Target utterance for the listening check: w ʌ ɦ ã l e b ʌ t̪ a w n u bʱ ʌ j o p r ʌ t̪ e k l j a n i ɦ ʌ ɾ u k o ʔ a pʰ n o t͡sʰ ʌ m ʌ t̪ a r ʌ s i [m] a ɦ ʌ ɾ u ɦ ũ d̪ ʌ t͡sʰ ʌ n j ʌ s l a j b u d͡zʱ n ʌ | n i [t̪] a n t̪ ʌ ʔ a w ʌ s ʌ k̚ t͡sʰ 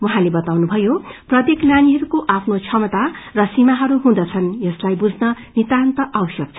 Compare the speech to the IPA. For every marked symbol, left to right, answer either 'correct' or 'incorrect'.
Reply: correct, correct

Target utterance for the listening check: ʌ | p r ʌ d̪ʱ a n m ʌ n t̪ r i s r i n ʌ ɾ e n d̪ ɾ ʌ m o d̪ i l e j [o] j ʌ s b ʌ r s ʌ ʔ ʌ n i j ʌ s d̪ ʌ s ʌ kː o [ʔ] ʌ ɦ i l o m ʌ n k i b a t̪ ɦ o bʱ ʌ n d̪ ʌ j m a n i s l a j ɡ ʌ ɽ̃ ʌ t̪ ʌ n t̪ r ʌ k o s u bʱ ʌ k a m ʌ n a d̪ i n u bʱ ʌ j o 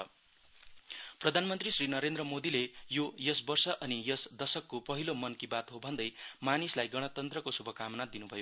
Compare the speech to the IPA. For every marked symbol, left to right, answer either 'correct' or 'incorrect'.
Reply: correct, incorrect: p

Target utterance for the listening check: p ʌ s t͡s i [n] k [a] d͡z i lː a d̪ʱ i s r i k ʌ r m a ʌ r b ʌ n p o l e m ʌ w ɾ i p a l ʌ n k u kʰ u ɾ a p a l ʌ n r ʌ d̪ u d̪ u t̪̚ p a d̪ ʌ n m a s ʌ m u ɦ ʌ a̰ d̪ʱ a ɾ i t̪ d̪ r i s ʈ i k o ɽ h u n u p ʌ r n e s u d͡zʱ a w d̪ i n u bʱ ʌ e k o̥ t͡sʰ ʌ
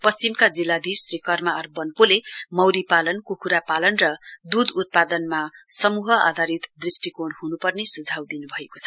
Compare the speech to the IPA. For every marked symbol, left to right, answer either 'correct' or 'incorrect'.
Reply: incorrect: m, correct

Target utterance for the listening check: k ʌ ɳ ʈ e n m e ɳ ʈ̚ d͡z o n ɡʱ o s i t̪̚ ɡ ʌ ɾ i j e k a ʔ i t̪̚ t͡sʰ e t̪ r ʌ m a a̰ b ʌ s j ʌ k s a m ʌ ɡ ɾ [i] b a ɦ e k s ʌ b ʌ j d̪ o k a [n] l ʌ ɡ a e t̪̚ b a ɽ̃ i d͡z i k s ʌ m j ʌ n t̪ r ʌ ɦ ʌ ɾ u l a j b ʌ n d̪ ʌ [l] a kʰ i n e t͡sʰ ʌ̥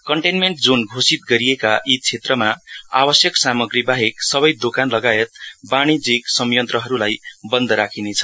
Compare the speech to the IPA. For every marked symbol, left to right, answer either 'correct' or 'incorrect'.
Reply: correct, correct, incorrect: ɾ

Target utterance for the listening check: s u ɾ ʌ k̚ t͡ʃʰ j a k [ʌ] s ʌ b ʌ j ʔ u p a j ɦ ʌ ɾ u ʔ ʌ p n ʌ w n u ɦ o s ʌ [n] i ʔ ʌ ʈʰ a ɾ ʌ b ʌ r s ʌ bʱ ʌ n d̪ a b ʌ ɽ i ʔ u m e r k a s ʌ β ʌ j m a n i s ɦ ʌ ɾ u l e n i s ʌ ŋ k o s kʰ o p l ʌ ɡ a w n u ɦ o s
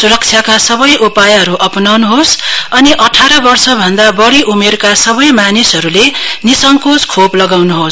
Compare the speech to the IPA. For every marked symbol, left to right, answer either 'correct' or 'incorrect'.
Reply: incorrect: a, correct

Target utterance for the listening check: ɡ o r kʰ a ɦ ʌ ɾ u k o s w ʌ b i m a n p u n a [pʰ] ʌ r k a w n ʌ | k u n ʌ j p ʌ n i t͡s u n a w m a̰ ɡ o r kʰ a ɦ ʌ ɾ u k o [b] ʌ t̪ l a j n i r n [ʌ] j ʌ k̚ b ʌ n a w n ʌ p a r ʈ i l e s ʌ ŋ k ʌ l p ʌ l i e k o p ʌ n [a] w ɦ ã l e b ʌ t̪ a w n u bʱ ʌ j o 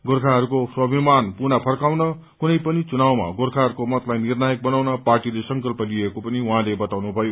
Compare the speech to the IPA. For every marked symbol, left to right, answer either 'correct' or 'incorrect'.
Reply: correct, incorrect: m, incorrect: a, incorrect: i

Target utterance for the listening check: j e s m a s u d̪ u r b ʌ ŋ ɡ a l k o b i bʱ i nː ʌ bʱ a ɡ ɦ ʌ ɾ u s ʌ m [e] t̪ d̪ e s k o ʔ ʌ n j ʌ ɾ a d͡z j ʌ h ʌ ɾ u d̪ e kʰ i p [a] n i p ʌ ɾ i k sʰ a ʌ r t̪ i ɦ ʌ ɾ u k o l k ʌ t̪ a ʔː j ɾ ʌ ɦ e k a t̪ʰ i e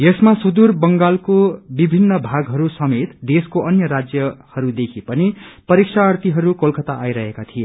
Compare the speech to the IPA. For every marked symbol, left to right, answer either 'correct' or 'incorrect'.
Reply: correct, incorrect: ʌ

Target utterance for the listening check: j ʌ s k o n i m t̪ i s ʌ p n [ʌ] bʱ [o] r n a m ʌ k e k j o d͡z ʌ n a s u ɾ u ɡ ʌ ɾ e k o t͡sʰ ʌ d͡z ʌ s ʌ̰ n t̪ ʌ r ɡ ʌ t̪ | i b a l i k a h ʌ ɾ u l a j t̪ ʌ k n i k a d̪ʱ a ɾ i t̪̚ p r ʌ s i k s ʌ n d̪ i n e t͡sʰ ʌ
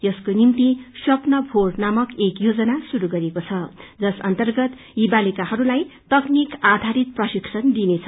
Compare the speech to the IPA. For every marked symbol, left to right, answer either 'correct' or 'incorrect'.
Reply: correct, correct

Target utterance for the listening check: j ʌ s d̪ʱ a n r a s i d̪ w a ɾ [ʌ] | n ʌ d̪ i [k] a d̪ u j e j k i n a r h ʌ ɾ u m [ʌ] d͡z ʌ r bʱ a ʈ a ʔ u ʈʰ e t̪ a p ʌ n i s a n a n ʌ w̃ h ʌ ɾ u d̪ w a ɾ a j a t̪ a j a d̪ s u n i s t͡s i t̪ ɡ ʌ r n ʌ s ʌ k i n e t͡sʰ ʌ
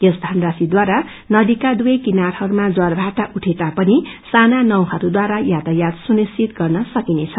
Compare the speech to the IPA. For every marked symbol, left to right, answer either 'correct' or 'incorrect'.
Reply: incorrect: a, correct, incorrect: a

